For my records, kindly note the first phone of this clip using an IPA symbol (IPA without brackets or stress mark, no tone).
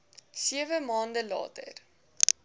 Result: s